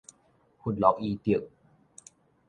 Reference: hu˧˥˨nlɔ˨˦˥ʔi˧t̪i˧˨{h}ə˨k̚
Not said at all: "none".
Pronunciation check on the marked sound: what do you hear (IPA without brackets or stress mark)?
none